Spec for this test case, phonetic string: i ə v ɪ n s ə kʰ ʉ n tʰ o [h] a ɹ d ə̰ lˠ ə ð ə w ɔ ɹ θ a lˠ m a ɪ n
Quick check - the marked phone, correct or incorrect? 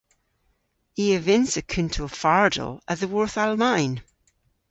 incorrect